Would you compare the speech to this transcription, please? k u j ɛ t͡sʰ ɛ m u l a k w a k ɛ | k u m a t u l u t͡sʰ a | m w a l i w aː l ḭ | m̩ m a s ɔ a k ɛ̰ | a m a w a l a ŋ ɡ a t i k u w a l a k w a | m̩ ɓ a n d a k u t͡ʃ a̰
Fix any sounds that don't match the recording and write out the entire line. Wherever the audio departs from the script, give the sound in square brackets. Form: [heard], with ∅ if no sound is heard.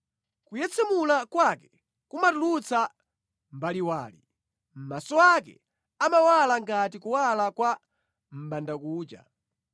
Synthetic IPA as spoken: k u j ɛ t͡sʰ ɛ m u l a k w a k ɛ | k u m a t u l u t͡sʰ a | m [b] a l i w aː l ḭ | m̩ m a s ɔ a k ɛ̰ | a m a w a l a ŋ ɡ a t i k u w a l a k w a | m̩ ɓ a n d a k [uː] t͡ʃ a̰

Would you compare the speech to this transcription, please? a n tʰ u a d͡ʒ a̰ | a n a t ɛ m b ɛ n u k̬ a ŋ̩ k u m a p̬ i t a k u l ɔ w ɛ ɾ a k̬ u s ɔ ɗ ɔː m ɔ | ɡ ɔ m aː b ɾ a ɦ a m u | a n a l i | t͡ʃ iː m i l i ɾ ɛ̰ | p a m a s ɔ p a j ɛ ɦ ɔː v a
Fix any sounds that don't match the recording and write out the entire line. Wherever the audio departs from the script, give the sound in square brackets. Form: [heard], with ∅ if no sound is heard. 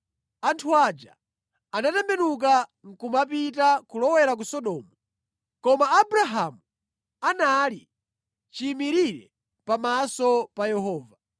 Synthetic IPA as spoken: a n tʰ u a d͡ʒ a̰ | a n a t ɛ m b ɛ n u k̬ a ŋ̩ k u m a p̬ i t a k u l ɔ w ɛ ɾ a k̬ u s ɔ ɗ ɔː m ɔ | [k] ɔ m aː b ɾ a ɦ a m u | a n a l i | t͡ʃ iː m i [ɾ] i ɾ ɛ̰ | p a m a s ɔ p a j ɛ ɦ ɔː v a

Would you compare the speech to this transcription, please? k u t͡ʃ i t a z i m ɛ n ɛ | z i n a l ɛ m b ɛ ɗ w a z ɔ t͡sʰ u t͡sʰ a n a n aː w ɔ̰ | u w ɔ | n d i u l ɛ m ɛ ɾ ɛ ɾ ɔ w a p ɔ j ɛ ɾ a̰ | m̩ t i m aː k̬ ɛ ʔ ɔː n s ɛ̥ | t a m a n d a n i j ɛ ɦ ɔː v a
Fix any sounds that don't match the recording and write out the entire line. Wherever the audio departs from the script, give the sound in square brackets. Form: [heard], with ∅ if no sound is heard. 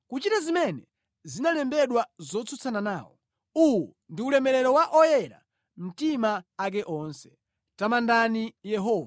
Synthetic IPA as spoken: k u t͡ʃ i t a z i m ɛ n ɛ | z i n a l ɛ m b ɛ ɗ w a z ɔ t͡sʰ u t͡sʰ a n a n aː w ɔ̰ | u w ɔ | n d i u l ɛ m ɛ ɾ ɛ ɾ ɔ w a [ʔ] ɔ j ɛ ɾ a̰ | m̩ t i m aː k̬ ɛ ʔ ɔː n s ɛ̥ | t a m a n d a n i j ɛ ɦ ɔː v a

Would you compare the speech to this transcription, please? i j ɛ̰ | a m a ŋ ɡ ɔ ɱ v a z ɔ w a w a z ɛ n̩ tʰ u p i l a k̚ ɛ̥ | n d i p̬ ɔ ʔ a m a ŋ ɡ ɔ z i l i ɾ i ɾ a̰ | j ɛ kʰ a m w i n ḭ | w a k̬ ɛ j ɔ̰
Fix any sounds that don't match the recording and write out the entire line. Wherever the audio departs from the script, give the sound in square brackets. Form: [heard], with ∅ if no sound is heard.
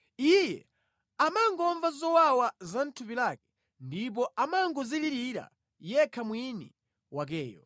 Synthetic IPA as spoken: i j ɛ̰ | a m a ŋ ɡ ɔ ɱ v a z ɔ w a w a z [a] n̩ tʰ u p i l a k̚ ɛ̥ | n d i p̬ ɔ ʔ a m a ŋ ɡ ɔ z i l i ɾ i ɾ a̰ | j ɛ kʰ a m w i n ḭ | w a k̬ [ɛː] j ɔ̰

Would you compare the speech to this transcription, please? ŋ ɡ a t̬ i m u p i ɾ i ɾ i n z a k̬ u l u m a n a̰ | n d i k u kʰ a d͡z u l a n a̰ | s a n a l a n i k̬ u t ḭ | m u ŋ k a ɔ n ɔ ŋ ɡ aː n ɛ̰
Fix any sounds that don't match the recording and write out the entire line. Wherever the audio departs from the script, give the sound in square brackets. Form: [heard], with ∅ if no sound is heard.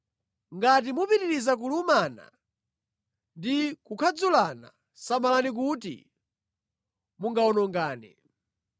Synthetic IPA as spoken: ŋ ɡ a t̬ i m u p i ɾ i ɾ i [∅] z a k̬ u l u m a n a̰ | n d i k u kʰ a d͡z u l a n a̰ | s a [m] a l a n i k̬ u t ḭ | m u ŋ [ɡ] a ɔ n ɔ ŋ ɡ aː n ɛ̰

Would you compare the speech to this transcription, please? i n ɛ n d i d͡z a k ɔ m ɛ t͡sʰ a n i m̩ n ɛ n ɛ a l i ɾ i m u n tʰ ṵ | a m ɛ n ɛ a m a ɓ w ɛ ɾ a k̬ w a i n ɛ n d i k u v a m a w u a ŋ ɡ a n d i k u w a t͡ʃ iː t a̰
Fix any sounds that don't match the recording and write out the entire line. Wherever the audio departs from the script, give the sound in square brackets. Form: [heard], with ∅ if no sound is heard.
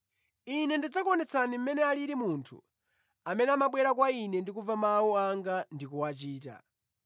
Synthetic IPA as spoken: i n ɛ n d i d͡z a k ɔ [n] ɛ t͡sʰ a n i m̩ [m] ɛ n ɛ a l i ɾ i m u n tʰ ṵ | a m ɛ n ɛ a m a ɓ w ɛ ɾ a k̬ w a i n ɛ n d i k u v a m a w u a ŋ ɡ a n d i k u w a t͡ʃ iː t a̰

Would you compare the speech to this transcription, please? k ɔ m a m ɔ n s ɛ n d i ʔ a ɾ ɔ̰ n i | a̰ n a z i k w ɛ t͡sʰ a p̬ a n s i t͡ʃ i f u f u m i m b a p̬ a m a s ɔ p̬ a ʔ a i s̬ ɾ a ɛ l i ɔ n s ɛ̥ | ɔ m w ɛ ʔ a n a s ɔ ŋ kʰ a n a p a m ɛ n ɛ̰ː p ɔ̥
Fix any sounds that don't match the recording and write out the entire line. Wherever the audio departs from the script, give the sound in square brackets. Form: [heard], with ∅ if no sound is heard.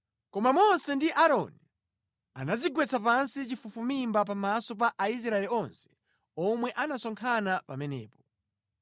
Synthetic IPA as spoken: k ɔ m a m ɔ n s ɛ n d i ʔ a ɾ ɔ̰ n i | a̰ n a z i [ɡ] w ɛ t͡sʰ a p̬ a n s i t͡ʃ i f u f u m i m b a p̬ a m a s ɔ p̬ a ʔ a i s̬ ɾ a ɛ l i ɔ n s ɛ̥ | ɔ m w ɛ ʔ a n a s ɔ ŋ kʰ a n a p a m ɛ n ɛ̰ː p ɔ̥

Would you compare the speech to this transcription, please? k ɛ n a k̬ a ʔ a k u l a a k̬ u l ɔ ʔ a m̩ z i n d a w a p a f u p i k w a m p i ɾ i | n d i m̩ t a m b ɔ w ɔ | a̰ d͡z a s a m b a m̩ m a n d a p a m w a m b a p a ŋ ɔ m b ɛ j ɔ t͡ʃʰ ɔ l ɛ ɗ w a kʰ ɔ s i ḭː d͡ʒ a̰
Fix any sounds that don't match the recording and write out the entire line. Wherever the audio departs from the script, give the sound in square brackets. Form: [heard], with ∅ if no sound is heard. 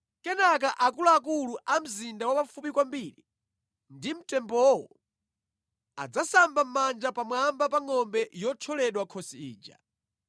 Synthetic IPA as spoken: k ɛ n a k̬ a ʔ a k u l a a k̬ u l [u] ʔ a m̩ z i n d a w a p a f u p i k w a m [b] i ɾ i | n d i m̩ t [ɛ] m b ɔ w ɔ | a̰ d͡z a s a m b a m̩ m a n [d͡ʒ] a p a m w a m b a p a ŋ ɔ m b ɛ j ɔ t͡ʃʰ ɔ l ɛ ɗ w a kʰ ɔ s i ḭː d͡ʒ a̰

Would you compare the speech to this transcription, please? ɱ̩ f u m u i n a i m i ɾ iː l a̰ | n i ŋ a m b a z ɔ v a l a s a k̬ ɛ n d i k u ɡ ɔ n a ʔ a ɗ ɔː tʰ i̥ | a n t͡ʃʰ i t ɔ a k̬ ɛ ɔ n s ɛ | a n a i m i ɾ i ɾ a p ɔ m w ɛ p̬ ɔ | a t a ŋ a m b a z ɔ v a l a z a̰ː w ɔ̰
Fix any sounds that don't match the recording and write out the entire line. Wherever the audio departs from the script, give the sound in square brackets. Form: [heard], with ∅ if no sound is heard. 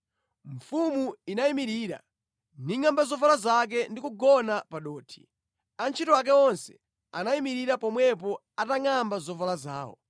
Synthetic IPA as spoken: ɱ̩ f u m u i n a i m i ɾ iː [ɾ] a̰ | n i ŋ a m b a z ɔ v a l a [z] a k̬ ɛ n d i k u ɡ ɔ n a [p] a ɗ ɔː tʰ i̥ | a n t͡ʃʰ i t ɔ a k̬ ɛ ɔ n s ɛ | a n a i m i ɾ i ɾ a p ɔ m w ɛ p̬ ɔ | a t a ŋ a m b a z ɔ v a l a z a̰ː w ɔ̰

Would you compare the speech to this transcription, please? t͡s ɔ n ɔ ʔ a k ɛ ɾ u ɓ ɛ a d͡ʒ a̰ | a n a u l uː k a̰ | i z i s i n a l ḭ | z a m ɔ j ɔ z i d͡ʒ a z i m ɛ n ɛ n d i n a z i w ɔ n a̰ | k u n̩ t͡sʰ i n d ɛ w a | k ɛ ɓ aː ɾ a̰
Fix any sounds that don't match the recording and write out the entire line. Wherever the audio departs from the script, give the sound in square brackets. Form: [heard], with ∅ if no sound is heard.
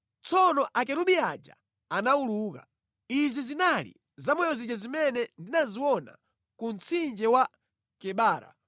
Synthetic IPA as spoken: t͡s ɔ n ɔ ʔ a k ɛ ɾ u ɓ [i] a d͡ʒ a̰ | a n a u l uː k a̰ | i z i [z] i n a l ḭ | z a m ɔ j ɔ z i d͡ʒ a z i m ɛ n ɛ n d i n a z i w ɔ n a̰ | k u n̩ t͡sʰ i n [d͡ʒ] ɛ w a | k ɛ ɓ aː ɾ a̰

